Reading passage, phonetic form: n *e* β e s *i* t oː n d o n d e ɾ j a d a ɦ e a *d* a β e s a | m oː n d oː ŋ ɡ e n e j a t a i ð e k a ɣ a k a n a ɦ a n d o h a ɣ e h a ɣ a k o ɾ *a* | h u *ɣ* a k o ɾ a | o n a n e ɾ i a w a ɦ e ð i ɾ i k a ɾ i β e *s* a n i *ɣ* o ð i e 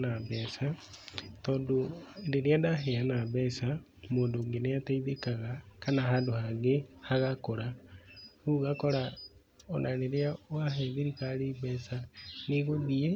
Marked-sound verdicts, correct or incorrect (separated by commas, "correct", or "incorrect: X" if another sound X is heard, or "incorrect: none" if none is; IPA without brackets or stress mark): incorrect: a, incorrect: a, incorrect: n, correct, correct, correct, correct